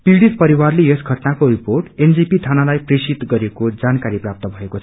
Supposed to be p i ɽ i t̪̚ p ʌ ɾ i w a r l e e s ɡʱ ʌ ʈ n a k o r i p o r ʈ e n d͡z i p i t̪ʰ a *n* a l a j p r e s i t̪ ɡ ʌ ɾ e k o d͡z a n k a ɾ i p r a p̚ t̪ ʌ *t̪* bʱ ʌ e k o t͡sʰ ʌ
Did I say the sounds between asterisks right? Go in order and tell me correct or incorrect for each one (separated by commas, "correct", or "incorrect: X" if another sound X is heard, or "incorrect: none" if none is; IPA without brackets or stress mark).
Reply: correct, incorrect: none